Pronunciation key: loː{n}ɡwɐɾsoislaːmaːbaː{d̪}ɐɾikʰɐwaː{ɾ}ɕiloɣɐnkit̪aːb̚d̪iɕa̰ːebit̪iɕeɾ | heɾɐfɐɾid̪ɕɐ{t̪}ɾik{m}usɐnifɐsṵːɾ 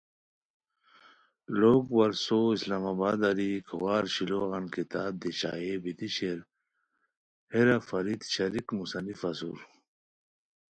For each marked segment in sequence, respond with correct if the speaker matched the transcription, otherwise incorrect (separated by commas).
incorrect, correct, correct, incorrect, correct